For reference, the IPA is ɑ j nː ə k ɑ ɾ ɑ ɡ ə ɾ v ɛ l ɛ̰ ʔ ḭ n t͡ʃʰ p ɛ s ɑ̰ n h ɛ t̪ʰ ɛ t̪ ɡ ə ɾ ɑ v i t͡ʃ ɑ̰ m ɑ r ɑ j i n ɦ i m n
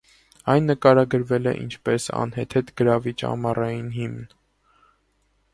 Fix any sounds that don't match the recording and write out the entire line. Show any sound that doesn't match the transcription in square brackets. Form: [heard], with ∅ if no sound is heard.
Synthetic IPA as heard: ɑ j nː ə k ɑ ɾ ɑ ɡ ə ɾ v ɛ l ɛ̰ ʔ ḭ n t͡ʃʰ p ɛ s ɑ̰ n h ɛ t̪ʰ ɛ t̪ ɡ ə ɾ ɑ v i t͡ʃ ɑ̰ m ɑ r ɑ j i n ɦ i m n